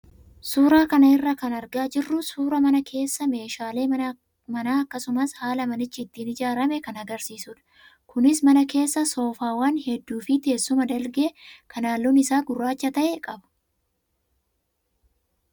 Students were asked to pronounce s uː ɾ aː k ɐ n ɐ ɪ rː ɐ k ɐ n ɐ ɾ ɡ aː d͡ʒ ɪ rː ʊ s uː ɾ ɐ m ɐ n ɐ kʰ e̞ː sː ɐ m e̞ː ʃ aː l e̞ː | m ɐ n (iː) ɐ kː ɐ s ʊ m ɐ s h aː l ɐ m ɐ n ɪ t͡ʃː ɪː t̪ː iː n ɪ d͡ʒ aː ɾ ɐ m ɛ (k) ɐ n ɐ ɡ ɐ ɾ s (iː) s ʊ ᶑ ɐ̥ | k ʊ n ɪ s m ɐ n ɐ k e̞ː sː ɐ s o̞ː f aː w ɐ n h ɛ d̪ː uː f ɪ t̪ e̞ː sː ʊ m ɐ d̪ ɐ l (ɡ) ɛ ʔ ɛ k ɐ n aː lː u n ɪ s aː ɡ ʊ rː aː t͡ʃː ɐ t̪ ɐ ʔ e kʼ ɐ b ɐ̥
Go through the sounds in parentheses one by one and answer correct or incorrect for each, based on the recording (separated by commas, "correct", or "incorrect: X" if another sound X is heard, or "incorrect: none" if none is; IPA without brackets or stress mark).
incorrect: aː, correct, correct, correct